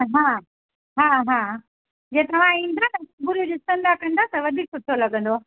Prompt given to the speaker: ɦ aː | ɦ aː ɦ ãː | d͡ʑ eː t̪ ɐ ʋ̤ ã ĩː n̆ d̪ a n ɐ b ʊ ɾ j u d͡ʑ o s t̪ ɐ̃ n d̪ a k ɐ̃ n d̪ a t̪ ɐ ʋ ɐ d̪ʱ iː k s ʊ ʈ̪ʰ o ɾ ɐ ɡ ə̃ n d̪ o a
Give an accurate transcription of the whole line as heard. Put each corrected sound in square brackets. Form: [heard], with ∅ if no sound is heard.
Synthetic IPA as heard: ɦ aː | ɦ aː ɦ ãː | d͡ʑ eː t̪ ɐ ʋ̤ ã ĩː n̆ d̪ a n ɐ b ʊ ɾ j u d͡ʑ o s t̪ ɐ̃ n d̪ a k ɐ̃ n d̪ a t̪ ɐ ʋ ɐ d̪ʱ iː k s ʊ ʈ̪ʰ o [l] ɐ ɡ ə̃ n d̪ o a